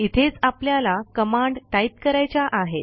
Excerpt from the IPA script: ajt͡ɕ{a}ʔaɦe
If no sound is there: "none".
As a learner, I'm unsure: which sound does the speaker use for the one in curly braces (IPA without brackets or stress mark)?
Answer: a